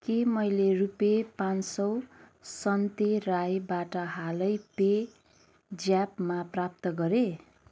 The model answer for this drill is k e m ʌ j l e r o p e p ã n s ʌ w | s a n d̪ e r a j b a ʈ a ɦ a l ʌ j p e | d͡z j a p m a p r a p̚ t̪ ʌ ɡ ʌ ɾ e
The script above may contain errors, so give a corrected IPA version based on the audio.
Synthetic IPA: k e m ʌ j l e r u p e p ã n s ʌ w | s ʌ n t̪ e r a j b a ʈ ʌ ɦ a l ʌ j p e | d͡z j a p m a p r a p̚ t̪ ʌ ɡ ʌ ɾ e